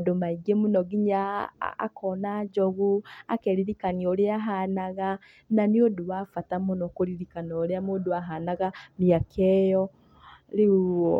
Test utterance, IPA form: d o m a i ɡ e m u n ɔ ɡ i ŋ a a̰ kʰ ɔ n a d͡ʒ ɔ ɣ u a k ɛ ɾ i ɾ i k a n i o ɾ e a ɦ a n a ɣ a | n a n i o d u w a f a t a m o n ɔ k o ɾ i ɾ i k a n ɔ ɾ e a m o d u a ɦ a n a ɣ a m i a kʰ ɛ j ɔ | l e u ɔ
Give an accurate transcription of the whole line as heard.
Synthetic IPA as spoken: d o m a i ɡ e m u n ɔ ɡ i ɲ a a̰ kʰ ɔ n a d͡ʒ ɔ ɣ u a k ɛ ɾ i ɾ i k a n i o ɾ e a ɦ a n a ɣ a | n a n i o d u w a f a t a m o n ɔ k o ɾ i ɾ i k a n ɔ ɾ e a m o d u a ɦ a n a ɣ a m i a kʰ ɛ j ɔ | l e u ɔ